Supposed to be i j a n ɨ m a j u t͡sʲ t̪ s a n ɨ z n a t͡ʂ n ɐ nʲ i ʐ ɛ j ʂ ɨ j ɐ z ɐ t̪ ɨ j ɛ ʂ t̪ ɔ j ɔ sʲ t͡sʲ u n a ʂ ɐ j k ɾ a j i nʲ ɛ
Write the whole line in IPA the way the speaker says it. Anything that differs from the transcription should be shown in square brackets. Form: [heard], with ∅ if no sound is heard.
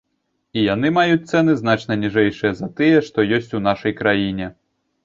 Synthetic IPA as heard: i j a n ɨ m a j u t͡sʲ t̪ s [ɛ] n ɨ z n a t͡ʂ n ɐ nʲ i ʐ ɛ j ʂ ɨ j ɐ z ɐ t̪ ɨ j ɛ ʂ t̪ ɔ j ɔ sʲ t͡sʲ u n a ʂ ɐ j k ɾ a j i nʲ ɛ